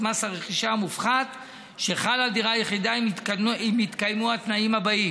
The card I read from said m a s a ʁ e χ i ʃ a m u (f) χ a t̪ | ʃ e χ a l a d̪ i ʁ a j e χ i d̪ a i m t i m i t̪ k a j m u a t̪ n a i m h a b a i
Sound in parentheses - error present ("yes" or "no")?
no